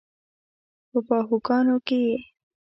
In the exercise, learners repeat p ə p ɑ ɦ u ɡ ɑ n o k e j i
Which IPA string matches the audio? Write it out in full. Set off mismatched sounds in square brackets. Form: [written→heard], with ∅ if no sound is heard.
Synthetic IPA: p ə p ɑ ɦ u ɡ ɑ n o k e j [i→e]

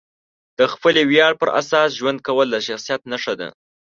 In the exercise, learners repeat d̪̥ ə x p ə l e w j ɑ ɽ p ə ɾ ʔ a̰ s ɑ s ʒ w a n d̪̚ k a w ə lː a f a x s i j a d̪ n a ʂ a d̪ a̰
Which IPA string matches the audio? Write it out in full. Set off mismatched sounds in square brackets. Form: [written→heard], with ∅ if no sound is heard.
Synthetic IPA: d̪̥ ə x p ə l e w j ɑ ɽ p ə ɾ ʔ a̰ s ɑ s ʒ w a n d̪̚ k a w ə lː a [f→ʃ] a x s i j a [d̪→t̪] n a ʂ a d̪ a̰

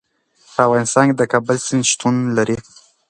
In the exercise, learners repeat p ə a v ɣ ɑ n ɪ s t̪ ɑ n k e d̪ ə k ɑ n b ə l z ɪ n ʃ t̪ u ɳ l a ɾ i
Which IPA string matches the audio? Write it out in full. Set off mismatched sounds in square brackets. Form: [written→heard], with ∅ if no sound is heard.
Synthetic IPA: p ə a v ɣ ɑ n ɪ s t̪ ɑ n k e d̪ ə k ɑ [n→∅] b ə l [z→s] ɪ n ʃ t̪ u [ɳ→n] l a ɾ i

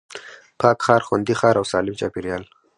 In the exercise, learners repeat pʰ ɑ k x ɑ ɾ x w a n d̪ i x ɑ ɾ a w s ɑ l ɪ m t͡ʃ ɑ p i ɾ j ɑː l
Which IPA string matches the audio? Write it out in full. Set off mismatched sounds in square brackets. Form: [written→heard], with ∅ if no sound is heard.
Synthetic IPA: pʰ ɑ k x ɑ ɾ x w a n d̪ i x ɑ ɾ a w s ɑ l ɪ m t͡ʃ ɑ p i ɾ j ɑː l

